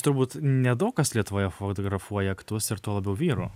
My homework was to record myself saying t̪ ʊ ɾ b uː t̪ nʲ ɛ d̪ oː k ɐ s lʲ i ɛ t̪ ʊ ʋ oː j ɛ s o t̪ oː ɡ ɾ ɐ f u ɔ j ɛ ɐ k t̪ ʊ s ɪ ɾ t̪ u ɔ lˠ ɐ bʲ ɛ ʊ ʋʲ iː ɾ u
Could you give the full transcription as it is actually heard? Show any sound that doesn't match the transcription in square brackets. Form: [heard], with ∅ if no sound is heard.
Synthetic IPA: t̪ ʊ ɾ b uː t̪ nʲ ɛ d̪ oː k ɐ s lʲ i ɛ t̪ ʊ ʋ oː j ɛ [f] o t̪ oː ɡ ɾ ɐ f u ɔ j ɛ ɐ k t̪ ʊ s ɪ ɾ t̪ u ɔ lˠ ɐ bʲ ɛ ʊ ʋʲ iː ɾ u

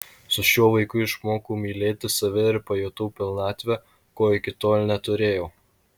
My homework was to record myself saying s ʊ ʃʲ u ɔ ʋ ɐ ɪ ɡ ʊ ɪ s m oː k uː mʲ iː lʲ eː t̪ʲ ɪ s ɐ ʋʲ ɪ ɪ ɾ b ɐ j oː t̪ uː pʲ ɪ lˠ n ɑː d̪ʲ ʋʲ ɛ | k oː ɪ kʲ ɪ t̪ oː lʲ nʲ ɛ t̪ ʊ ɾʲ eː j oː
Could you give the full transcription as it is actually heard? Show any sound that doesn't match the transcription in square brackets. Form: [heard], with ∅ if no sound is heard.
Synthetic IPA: s ʊ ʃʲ u ɔ ʋ ɐ ɪ [k] ʊ ɪ [ʃ] m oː k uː mʲ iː lʲ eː t̪ʲ ɪ s ɐ ʋʲ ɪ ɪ ɾ [p] ɐ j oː t̪ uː pʲ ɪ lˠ n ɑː [t̪ʲ] ʋʲ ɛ | k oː ɪ kʲ ɪ t̪ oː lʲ nʲ ɛ t̪ ʊ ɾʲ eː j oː

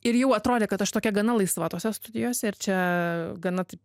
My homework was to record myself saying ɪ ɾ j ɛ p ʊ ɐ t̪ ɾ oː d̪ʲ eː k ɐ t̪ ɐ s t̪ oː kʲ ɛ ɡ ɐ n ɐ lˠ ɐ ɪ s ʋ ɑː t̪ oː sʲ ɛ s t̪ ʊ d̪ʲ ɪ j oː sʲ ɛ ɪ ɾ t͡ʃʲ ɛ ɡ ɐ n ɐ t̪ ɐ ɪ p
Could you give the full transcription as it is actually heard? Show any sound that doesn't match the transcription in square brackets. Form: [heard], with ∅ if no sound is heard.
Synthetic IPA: ɪ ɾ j ɛ [∅] ʊ ɐ t̪ ɾ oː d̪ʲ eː k ɐ t̪ ɐ [ʃ] t̪ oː kʲ ɛ ɡ ɐ n ɐ lˠ ɐ ɪ s ʋ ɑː t̪ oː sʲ ɛ s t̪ ʊ d̪ʲ ɪ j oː sʲ ɛ ɪ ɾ t͡ʃʲ ɛ ɡ ɐ n ɐ t̪ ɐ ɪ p

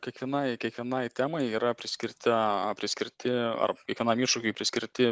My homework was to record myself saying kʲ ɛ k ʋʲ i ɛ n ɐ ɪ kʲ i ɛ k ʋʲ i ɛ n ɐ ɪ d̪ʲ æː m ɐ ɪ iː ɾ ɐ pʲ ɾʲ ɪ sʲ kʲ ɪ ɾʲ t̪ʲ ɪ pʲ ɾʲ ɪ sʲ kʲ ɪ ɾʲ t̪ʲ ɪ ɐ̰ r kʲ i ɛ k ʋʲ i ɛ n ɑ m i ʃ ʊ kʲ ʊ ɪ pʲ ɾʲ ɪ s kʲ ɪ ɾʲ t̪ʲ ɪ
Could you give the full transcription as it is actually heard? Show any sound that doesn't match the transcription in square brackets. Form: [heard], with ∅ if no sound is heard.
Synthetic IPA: kʲ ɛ k ʋʲ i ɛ n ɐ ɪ kʲ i ɛ k ʋʲ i ɛ n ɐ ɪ [t̪ʲ] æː m ɐ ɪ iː ɾ ɐ pʲ ɾʲ ɪ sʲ kʲ ɪ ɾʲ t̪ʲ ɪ pʲ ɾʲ ɪ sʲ kʲ ɪ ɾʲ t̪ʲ ɪ ɐ̰ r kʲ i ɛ k ʋʲ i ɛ n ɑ m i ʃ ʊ kʲ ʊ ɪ pʲ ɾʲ ɪ s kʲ ɪ ɾʲ t̪ʲ ɪ

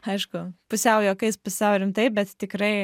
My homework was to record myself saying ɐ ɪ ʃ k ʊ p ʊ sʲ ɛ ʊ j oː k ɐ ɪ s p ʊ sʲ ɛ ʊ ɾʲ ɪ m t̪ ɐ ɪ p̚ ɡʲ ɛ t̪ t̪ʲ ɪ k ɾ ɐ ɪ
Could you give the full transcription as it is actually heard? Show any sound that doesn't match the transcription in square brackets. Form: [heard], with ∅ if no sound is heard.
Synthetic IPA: ɐ ɪ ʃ k ʊ p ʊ sʲ ɛ ʊ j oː k ɐ ɪ s p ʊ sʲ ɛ ʊ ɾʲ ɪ m t̪ ɐ ɪ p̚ [bʲ] ɛ t̪ t̪ʲ ɪ k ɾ ɐ ɪ

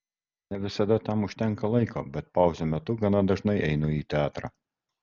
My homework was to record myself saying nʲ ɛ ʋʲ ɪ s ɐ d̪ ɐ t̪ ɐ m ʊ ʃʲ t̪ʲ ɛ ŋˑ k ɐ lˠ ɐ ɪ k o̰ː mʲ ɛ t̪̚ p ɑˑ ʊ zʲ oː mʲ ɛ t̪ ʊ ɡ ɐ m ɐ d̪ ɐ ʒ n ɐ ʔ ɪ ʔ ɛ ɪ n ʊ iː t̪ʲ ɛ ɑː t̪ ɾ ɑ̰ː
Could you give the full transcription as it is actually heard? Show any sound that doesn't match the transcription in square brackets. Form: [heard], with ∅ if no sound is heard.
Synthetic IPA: nʲ ɛ ʋʲ ɪ s ɐ d̪ ɐ t̪ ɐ m ʊ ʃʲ t̪ʲ ɛ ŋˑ k ɐ lˠ ɐ ɪ k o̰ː [bʲ] ɛ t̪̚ p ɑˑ ʊ zʲ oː mʲ ɛ t̪ ʊ ɡ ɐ [n] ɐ d̪ ɐ ʒ n ɐ [∅] ɪ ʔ ɛ ɪ n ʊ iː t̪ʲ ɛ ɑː t̪ ɾ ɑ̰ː

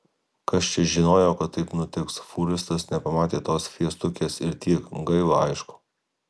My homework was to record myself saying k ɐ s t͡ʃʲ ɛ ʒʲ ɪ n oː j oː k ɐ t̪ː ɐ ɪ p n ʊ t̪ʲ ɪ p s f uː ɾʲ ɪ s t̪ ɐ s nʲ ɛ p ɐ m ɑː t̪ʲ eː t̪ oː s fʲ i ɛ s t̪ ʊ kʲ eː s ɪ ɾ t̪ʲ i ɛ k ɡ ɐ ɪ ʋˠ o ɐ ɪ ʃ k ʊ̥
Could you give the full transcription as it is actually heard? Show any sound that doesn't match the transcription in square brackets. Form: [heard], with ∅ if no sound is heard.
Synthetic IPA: k ɐ s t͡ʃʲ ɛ ʒʲ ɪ n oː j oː k ɐ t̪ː ɐ ɪ p n ʊ t̪ʲ ɪ [k] s f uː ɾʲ ɪ s t̪ ɐ s nʲ ɛ p ɐ m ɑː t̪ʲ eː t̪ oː s fʲ i ɛ s t̪ ʊ kʲ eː s ɪ ɾ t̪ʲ i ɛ k ɡ ɐ ɪ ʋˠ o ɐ ɪ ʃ k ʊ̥

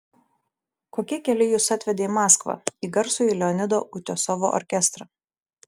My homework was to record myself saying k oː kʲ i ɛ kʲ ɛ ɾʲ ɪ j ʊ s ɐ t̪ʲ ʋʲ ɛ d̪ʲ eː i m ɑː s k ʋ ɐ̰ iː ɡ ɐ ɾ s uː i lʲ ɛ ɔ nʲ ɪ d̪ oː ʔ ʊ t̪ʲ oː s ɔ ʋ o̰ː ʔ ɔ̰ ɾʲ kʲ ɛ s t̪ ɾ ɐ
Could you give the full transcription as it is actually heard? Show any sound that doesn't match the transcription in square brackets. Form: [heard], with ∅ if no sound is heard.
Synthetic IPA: k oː kʲ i ɛ kʲ ɛ [lʲ] ɪ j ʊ s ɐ t̪ʲ ʋʲ ɛ d̪ʲ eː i m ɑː s k ʋ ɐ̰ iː ɡ ɐ ɾ s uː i lʲ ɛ ɔ nʲ ɪ d̪ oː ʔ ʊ t̪ʲ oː s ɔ ʋ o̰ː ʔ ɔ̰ ɾʲ kʲ ɛ s t̪ ɾ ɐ

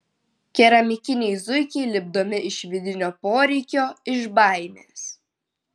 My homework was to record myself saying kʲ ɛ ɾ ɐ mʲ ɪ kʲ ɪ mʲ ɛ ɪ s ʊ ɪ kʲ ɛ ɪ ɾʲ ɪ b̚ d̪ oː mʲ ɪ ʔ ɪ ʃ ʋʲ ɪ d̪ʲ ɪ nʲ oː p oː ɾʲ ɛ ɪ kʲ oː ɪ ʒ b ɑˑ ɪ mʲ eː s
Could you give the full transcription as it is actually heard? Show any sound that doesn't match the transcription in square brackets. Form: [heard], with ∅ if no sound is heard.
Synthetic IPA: kʲ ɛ ɾ ɐ mʲ ɪ kʲ ɪ [nʲ] ɛ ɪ [z] ʊ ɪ kʲ ɛ ɪ [lʲ] ɪ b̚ d̪ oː mʲ ɪ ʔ ɪ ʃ ʋʲ ɪ d̪ʲ ɪ nʲ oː p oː ɾʲ ɛ ɪ kʲ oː ɪ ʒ b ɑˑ ɪ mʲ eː s

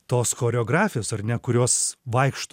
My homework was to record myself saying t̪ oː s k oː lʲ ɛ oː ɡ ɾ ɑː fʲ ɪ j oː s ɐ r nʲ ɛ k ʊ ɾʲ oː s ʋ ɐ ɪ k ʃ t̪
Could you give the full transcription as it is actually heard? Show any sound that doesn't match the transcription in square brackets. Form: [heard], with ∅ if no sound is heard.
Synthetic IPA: t̪ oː s [x] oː [ɾʲ] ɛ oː ɡ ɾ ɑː fʲ ɪ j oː s ɐ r nʲ ɛ k ʊ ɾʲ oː s ʋ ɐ ɪ k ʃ t̪

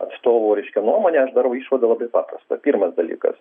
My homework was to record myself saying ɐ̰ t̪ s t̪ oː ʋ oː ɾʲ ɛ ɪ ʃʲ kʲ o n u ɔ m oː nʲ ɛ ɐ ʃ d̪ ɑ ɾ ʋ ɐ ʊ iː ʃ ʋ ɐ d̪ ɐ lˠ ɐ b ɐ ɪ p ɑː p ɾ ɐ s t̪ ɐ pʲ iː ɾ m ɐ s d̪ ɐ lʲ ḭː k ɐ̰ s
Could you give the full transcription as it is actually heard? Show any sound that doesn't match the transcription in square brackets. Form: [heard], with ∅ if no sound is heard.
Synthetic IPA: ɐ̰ t̪ s t̪ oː ʋ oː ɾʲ ɛ ɪ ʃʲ kʲ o n u ɔ m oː nʲ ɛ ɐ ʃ d̪ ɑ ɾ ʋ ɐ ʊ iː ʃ ʋ ɐ d̪ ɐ lˠ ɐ b ɐ ɪ p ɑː p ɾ ɐ s t̪ ɐ pʲ iː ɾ m ɐ s d̪ ɐ lʲ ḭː k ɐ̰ s

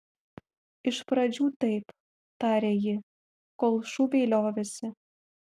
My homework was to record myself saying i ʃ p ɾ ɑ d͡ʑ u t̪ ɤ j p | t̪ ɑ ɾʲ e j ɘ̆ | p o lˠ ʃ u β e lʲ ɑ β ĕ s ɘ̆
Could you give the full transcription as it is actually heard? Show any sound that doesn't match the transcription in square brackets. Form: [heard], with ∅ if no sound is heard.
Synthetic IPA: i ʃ p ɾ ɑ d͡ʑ u t̪ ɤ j p | t̪ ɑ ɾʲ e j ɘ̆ | [k] o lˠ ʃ u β e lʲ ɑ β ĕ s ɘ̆

